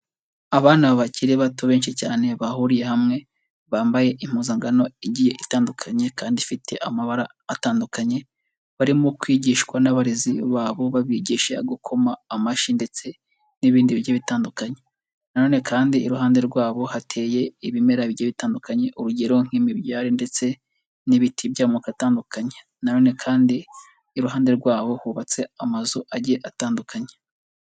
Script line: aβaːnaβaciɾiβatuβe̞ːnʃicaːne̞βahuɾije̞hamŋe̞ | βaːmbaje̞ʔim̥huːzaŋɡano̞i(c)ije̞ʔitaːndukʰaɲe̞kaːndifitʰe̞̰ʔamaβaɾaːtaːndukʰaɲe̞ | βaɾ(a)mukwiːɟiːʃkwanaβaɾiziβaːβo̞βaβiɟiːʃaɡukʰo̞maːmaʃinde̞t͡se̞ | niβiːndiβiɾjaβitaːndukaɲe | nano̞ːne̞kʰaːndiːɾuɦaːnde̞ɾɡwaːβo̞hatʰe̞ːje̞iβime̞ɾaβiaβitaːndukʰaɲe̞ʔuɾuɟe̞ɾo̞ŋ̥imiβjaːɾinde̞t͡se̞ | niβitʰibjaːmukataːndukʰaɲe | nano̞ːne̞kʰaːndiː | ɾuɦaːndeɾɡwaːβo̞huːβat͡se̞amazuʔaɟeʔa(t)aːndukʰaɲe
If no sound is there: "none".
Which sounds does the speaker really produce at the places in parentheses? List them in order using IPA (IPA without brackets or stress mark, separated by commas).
ɟ, i, t